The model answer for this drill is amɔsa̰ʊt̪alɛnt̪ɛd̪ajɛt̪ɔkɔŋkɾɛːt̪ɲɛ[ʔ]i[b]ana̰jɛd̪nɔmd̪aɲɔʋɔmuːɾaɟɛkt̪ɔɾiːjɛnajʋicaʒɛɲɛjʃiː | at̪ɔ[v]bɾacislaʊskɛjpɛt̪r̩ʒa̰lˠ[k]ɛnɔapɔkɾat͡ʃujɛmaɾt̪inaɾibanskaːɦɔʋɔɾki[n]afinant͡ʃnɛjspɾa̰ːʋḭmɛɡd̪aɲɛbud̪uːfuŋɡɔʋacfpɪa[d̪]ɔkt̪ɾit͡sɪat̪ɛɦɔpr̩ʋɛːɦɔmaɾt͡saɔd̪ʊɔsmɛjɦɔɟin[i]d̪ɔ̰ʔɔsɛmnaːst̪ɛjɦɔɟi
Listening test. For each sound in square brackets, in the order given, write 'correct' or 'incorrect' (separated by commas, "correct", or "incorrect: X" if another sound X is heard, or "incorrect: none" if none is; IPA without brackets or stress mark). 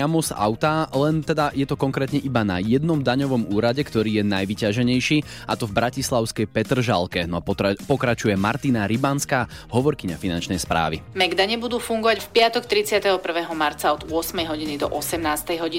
correct, correct, correct, correct, incorrect: ɲ, incorrect: t̪, correct